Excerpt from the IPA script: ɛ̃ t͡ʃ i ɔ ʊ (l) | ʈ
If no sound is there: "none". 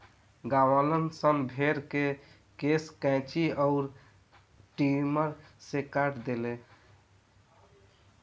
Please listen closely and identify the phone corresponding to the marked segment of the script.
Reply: ɾ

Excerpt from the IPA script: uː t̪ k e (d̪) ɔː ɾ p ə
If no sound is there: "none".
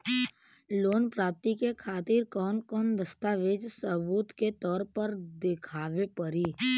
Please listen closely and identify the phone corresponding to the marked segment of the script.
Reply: t̪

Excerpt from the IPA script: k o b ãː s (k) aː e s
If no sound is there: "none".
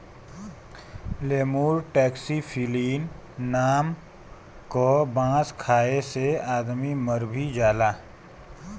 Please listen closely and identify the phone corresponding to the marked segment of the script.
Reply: kʰ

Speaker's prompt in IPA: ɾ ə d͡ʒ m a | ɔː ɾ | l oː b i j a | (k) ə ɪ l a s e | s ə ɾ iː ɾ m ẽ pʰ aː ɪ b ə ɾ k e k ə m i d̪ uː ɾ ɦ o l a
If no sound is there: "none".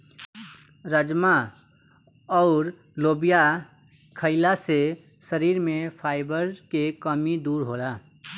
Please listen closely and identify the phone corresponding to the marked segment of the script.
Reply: kʰ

